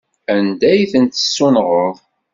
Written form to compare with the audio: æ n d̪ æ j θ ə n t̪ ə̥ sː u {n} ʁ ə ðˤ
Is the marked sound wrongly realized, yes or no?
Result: no